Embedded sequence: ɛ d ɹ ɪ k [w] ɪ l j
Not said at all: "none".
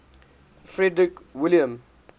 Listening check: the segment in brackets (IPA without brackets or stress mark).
w